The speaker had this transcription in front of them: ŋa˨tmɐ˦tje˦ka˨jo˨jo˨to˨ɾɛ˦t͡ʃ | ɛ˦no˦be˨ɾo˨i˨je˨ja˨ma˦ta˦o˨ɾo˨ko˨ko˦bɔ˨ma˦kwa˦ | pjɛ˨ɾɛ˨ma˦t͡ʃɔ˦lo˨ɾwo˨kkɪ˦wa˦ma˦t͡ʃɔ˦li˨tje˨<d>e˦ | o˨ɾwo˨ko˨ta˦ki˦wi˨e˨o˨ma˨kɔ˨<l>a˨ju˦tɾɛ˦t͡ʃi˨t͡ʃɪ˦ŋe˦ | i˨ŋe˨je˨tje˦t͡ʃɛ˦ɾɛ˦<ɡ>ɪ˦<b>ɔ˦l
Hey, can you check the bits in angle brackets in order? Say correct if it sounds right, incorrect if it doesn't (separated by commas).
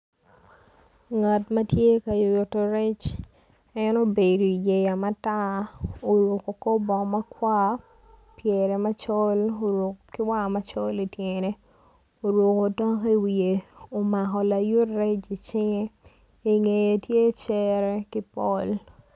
incorrect, correct, incorrect, incorrect